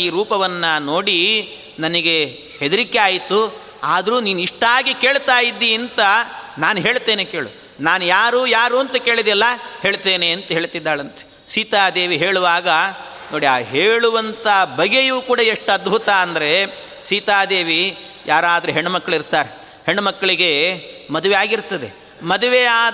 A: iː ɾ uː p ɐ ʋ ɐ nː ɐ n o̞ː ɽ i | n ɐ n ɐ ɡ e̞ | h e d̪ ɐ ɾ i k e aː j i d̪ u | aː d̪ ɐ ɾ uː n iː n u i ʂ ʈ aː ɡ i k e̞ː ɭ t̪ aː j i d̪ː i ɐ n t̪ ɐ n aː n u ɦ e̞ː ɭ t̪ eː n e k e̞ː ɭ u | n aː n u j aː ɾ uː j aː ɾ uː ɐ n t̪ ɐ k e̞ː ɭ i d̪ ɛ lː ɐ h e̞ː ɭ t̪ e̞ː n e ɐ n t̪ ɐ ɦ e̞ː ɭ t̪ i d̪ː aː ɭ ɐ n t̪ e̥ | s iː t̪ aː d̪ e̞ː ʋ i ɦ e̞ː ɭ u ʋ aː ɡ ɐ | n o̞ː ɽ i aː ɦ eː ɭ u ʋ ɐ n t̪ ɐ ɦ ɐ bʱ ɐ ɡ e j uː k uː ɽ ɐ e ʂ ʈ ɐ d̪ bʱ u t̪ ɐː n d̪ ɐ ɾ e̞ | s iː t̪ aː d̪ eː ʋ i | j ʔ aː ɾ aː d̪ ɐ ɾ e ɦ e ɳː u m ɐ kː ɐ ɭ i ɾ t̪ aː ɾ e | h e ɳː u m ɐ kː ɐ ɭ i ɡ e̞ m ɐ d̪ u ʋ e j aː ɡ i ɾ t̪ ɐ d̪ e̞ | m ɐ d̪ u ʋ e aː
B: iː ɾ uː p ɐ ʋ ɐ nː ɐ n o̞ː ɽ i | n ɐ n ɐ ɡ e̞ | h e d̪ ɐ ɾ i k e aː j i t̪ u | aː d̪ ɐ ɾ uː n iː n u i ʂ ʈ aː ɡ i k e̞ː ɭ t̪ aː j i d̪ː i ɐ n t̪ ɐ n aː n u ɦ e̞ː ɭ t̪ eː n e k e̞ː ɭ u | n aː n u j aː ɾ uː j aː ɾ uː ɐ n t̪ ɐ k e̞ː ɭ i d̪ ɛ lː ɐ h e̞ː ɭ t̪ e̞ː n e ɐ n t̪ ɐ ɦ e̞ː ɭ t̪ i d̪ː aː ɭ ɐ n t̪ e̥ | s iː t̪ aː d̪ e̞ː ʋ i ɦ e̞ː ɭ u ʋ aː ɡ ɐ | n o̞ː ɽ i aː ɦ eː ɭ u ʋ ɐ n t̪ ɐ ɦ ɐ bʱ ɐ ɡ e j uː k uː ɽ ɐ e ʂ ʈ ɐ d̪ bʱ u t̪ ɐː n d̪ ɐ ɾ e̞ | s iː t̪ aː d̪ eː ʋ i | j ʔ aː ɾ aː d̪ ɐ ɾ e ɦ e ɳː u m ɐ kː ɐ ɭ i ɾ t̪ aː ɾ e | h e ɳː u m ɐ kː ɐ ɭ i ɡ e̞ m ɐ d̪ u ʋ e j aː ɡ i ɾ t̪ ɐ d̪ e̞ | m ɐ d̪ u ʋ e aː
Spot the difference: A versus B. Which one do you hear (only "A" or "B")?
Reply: B